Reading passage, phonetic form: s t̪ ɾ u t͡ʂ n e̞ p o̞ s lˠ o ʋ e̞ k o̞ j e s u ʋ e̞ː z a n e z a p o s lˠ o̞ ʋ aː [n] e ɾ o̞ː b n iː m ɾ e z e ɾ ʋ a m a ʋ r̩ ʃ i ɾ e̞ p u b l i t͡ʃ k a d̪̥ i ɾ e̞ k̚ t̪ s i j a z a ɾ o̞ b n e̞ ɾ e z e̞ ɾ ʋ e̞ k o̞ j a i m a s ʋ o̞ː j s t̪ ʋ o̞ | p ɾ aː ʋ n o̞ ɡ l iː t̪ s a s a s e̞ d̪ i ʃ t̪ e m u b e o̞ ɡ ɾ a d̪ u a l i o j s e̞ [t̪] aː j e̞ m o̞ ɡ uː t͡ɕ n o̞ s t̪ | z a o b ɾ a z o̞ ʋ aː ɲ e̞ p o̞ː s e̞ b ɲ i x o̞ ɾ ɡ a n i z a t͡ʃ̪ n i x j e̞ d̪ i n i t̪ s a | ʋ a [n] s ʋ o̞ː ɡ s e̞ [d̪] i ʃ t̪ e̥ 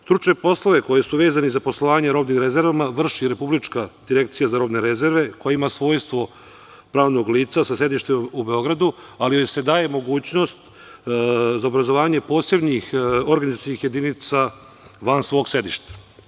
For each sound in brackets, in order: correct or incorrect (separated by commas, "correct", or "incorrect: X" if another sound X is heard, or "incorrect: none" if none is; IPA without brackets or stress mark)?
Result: incorrect: ɲ, incorrect: d̪, correct, correct